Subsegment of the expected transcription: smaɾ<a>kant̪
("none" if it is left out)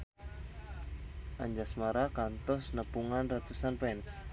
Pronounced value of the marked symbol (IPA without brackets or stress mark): a